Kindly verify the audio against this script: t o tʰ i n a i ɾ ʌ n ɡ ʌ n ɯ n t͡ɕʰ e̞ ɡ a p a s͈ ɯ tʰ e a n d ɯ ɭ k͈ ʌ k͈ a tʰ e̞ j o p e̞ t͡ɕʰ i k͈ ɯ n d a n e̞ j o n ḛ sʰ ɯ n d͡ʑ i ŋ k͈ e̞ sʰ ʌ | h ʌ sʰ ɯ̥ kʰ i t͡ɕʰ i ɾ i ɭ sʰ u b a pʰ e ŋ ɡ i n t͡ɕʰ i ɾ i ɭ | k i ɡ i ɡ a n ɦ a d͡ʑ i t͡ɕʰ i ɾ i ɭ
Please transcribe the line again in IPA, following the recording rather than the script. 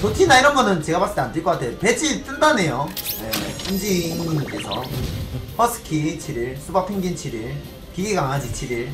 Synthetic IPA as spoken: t o tʰ i n a i ɾ ʌ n ɡ ʌ n ɯ n t͡ɕ e̞ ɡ a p a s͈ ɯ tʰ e a n d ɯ ɭ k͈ ʌ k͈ a tʰ e̞ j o p e̞ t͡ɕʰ i t͈ ɯ n d a n e̞ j o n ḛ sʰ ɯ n d͡ʑ i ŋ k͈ e̞ sʰ ʌ | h ʌ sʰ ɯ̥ kʰ i t͡ɕʰ i ɾ i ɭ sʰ u b a pʰ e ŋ ɡ i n t͡ɕʰ i ɾ i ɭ | k i ɡ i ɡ a ŋ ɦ a d͡ʑ i t͡ɕʰ i ɾ i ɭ